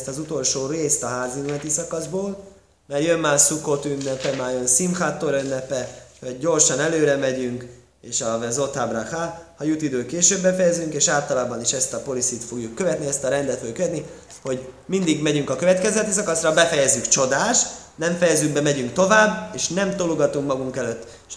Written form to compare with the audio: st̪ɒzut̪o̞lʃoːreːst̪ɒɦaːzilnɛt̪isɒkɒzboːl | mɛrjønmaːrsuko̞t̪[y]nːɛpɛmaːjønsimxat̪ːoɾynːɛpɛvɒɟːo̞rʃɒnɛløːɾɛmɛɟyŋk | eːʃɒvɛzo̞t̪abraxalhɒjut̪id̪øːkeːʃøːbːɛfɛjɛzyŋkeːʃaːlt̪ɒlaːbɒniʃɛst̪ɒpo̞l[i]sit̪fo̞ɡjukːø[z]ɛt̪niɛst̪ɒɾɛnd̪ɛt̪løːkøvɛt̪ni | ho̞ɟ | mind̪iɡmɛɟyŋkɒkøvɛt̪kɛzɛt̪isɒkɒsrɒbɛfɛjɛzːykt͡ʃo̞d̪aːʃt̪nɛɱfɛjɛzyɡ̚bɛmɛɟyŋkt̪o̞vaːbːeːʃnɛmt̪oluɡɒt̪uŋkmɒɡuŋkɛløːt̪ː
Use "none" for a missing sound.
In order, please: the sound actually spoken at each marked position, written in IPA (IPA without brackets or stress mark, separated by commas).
y, i, v